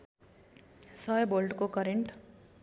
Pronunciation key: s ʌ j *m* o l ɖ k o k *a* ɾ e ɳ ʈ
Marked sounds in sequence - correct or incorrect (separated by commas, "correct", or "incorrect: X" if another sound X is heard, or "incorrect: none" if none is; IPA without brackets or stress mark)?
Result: incorrect: b, incorrect: ʌ